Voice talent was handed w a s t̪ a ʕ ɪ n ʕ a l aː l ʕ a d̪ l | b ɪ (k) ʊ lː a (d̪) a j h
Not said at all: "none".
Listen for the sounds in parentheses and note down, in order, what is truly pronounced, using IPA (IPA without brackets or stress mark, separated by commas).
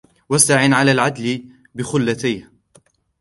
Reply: x, t̪